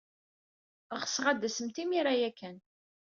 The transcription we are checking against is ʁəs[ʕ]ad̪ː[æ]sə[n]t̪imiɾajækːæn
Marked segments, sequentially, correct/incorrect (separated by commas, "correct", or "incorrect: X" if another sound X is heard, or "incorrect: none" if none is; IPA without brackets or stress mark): incorrect: ʁ, correct, incorrect: m